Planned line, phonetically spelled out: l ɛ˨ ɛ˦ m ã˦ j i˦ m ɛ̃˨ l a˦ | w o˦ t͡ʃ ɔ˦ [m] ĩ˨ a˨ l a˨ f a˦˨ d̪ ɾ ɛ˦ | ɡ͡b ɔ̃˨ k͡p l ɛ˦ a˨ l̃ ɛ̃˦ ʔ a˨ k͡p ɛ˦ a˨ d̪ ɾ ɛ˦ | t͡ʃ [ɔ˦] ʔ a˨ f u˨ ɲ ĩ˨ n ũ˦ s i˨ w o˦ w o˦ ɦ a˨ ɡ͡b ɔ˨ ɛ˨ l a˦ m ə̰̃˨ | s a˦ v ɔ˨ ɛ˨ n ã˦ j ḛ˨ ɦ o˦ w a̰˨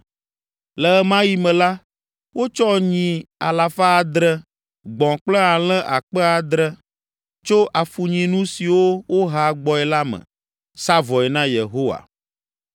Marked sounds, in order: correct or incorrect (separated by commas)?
incorrect, incorrect